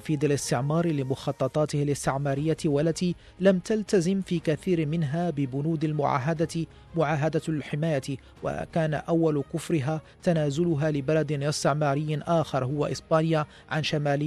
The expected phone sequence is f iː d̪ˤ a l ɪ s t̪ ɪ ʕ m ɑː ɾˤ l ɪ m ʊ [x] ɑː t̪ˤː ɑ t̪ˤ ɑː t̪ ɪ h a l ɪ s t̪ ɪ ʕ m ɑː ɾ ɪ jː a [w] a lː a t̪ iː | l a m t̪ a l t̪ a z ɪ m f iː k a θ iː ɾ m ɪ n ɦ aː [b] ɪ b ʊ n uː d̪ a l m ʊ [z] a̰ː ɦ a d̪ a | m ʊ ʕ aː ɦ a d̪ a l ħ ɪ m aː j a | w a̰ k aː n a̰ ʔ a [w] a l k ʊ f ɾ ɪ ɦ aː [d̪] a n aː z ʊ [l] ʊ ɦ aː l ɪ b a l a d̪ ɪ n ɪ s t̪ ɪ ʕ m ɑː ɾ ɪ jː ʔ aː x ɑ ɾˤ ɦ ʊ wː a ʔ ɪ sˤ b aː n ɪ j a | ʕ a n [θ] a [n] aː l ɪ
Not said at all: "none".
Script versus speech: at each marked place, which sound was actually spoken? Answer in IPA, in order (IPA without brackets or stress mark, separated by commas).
x, w, b, ʕ, wː, t̪, l, ʃ, m